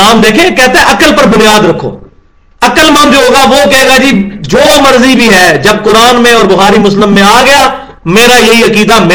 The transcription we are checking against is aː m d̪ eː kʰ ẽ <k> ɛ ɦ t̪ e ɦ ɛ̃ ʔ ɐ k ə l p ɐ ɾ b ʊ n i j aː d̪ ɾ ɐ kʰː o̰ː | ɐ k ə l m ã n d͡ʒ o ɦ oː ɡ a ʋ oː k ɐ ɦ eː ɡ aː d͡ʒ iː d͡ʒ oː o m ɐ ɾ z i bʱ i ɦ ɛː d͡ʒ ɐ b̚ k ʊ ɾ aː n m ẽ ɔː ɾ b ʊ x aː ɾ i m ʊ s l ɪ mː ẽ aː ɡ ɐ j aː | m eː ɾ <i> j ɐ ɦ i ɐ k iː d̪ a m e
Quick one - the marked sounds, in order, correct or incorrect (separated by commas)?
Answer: correct, incorrect